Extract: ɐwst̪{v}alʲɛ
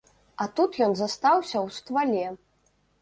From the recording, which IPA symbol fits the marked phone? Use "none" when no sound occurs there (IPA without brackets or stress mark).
v